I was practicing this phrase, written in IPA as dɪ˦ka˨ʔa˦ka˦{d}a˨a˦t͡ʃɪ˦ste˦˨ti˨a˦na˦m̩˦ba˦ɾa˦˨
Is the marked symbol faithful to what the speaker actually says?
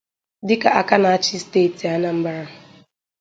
no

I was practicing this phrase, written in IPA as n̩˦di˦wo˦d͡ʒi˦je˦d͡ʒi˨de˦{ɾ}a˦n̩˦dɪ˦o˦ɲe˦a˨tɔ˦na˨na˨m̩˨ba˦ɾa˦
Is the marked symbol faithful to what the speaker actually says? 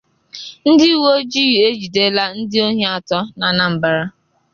no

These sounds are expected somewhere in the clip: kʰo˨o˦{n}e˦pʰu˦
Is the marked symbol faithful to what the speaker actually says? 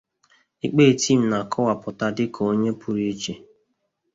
no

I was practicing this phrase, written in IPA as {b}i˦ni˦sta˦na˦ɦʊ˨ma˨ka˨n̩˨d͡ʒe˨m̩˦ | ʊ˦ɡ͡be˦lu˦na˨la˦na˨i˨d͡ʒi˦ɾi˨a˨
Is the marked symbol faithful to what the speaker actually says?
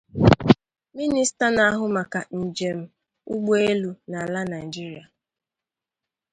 no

